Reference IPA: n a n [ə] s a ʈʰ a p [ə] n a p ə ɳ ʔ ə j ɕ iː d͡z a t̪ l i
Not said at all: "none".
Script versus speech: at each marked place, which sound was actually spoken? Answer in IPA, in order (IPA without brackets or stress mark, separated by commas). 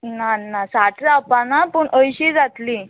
a, a